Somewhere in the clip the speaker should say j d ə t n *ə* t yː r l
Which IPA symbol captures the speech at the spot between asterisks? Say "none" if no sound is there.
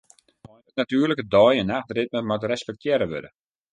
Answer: a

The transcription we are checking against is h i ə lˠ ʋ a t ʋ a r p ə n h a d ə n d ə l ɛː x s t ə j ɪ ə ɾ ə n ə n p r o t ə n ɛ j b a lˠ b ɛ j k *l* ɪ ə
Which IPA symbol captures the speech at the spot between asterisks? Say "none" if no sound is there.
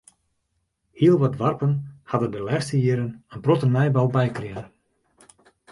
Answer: r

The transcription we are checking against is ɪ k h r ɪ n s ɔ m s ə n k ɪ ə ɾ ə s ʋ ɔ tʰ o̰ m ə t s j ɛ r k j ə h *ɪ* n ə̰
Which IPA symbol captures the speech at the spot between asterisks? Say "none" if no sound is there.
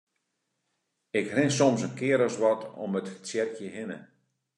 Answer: ɪ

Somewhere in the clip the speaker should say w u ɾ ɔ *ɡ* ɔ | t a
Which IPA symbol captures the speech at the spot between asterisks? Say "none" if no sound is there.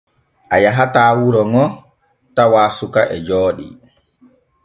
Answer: ŋ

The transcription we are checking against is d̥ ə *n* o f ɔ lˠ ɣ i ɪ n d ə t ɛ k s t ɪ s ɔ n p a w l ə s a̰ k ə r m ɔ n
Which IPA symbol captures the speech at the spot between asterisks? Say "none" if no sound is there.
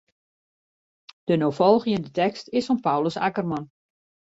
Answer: n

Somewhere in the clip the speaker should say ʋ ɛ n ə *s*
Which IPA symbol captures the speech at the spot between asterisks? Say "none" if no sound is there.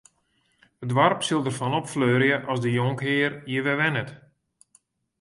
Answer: t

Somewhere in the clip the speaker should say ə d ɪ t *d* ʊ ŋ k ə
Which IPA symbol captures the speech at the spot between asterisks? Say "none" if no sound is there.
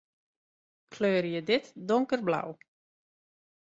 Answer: d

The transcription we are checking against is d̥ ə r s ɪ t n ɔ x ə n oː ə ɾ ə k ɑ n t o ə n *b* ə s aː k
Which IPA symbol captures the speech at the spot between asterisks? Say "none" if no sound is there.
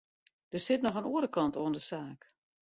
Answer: d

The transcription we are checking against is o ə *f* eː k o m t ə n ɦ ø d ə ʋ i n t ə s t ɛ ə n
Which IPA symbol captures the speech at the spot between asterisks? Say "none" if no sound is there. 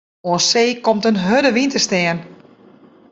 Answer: s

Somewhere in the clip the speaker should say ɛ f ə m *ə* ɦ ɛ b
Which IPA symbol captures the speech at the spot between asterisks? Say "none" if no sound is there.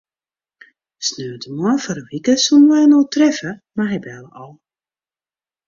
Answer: a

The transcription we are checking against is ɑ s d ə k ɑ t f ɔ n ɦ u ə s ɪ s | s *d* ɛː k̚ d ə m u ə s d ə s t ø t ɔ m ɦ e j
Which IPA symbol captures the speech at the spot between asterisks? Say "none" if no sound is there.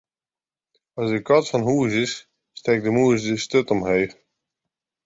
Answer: t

